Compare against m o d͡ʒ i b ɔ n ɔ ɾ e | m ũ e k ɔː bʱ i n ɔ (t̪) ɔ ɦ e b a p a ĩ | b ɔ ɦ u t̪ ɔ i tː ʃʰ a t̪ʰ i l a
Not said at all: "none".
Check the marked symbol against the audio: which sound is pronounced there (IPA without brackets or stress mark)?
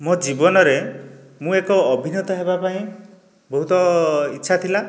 t̪